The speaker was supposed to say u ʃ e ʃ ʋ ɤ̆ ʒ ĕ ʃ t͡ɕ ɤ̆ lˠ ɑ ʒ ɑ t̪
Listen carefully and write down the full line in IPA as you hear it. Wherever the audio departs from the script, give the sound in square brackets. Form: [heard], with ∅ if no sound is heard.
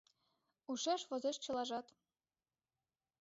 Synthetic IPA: u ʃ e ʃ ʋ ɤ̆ [z] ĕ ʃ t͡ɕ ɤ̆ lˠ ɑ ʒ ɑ t̪